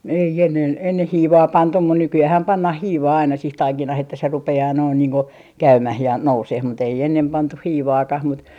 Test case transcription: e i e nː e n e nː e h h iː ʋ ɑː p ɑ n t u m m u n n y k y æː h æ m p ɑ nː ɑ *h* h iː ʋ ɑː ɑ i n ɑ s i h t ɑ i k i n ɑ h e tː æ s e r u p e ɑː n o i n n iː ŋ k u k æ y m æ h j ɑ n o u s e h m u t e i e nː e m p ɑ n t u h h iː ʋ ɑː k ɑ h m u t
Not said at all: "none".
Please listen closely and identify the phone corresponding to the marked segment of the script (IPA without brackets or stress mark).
h